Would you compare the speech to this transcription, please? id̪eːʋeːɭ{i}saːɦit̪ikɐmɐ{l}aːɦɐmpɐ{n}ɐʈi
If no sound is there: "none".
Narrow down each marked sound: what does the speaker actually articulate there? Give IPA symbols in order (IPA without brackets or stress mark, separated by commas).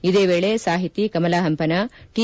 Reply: e, l, n